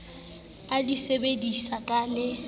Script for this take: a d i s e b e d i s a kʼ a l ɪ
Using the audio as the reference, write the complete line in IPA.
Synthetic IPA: a d i s e b e d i s a kʼ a l ɪ